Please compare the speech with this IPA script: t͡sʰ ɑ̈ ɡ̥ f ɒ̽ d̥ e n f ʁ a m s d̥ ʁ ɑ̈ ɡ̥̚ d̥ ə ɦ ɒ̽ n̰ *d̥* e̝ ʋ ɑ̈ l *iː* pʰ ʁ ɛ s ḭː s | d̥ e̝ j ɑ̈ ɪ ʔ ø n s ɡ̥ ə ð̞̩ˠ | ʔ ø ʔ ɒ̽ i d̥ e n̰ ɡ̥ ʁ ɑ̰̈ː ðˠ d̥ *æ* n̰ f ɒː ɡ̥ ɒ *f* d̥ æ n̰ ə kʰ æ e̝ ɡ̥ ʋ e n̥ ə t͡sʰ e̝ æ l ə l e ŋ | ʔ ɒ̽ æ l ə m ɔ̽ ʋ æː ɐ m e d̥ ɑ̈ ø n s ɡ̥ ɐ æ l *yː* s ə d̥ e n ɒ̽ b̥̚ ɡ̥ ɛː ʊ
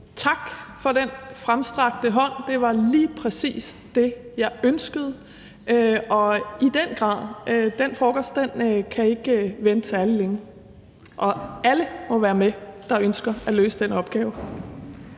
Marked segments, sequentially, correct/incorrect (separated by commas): correct, correct, incorrect, incorrect, incorrect